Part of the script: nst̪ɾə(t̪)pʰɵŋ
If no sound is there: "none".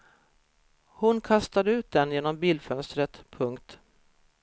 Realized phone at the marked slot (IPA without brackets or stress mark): t̪